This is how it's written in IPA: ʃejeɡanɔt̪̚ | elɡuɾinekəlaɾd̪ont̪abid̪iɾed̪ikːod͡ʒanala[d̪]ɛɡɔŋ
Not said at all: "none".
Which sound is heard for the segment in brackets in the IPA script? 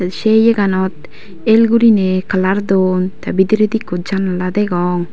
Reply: d̪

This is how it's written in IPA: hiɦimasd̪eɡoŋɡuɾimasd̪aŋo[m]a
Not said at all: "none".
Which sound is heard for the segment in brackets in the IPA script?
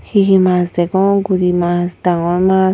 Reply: m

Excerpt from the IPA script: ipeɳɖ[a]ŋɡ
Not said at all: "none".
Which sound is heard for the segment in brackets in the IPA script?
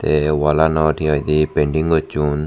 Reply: i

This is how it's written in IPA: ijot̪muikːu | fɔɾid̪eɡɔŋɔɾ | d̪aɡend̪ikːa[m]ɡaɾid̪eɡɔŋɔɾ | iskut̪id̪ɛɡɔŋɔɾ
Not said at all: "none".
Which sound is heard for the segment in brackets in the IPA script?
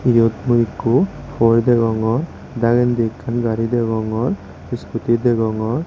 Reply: n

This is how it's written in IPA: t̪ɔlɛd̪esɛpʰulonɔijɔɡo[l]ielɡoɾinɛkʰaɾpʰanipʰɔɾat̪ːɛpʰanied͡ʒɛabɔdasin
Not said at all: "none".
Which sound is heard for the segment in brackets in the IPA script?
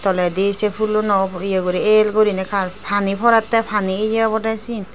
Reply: ɾ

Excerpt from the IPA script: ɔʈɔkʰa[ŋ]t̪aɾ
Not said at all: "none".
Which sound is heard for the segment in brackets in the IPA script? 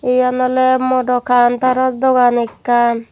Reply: n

